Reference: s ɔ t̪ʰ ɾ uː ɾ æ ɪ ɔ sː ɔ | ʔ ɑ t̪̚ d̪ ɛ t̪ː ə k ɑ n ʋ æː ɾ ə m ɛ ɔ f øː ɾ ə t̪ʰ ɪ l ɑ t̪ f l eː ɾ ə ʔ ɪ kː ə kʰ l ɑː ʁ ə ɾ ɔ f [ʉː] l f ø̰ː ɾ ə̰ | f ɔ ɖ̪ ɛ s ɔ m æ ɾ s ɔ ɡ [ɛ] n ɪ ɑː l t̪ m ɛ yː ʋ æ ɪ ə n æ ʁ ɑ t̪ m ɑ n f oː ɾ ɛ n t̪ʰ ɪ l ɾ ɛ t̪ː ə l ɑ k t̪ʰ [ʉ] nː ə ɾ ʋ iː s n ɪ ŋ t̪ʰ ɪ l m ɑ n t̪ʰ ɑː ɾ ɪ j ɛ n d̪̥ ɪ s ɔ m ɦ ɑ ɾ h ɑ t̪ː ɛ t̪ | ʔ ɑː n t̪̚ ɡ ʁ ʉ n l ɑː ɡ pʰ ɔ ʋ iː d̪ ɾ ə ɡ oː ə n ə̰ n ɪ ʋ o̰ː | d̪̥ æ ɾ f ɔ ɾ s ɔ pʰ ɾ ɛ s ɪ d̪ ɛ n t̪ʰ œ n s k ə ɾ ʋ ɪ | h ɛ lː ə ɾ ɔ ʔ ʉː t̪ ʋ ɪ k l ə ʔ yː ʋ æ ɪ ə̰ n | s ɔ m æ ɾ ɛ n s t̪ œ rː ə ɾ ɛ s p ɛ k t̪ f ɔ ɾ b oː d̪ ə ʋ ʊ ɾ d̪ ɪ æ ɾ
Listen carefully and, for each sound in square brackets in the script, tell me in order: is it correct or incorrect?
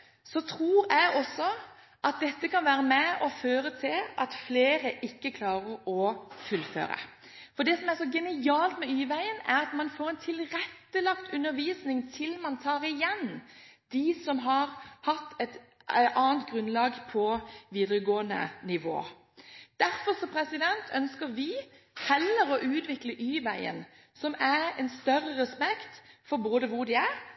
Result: incorrect, correct, correct

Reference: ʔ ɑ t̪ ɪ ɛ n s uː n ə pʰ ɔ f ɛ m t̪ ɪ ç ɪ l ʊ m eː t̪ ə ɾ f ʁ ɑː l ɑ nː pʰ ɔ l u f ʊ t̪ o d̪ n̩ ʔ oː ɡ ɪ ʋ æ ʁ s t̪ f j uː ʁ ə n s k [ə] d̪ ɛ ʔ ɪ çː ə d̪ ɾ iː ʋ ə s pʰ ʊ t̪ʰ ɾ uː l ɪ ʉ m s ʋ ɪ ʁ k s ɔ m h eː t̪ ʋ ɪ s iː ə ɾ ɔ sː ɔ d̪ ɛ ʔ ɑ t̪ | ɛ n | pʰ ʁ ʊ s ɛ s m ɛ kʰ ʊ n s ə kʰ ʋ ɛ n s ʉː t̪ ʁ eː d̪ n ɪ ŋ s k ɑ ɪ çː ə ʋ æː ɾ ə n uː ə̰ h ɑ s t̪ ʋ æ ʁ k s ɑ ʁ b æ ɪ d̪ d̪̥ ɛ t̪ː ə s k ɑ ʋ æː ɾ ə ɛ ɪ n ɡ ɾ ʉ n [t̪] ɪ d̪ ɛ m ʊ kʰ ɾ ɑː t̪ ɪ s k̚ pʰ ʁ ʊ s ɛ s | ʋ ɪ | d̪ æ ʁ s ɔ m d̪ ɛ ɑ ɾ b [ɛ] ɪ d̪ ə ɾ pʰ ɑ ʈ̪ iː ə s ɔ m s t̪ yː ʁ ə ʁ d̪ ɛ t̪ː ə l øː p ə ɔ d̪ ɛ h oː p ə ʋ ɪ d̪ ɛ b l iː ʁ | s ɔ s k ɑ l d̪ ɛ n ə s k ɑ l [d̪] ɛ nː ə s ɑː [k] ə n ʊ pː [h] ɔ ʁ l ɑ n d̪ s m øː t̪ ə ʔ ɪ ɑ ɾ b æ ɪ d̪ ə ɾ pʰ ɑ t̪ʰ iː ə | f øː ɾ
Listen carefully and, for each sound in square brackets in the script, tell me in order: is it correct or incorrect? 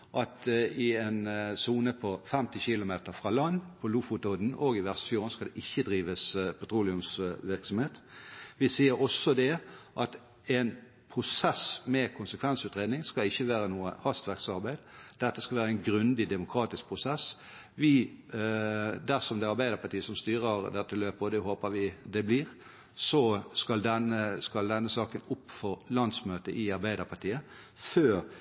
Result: incorrect, incorrect, incorrect, correct, correct, incorrect

